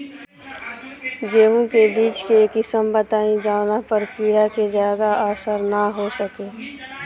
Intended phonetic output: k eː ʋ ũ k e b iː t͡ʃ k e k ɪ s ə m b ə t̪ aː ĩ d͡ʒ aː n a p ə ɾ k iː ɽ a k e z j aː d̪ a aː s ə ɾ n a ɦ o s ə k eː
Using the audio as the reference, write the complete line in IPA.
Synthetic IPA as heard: ɡ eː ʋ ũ k e b iː t͡ʃ k e k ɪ s ə m b ə t̪ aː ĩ d͡ʒ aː n a p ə ɾ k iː ɽ a k e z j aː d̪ a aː s ə ɾ n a ɦ o s ə k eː